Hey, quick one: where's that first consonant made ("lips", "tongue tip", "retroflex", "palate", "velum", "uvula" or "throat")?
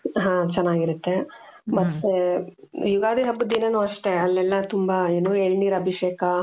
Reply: throat